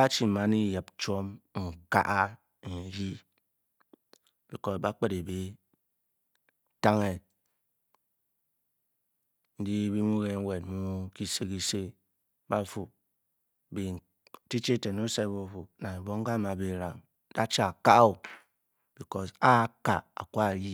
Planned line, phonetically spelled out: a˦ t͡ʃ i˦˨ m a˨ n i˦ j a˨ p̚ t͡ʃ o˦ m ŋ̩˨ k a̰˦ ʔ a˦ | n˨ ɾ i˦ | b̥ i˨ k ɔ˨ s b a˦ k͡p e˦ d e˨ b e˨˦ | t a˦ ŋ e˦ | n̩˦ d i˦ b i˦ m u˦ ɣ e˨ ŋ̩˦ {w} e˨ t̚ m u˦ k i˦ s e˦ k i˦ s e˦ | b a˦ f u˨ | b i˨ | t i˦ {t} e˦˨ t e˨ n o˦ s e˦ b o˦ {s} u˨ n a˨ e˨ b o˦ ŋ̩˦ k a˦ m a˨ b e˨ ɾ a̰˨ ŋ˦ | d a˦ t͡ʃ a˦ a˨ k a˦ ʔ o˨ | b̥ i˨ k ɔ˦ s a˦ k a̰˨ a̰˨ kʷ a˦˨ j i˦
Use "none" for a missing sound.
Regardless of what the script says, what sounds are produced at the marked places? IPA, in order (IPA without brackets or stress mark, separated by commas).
w, t͡ʃ, f